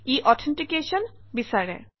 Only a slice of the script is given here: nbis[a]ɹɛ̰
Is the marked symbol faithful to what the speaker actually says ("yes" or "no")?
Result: yes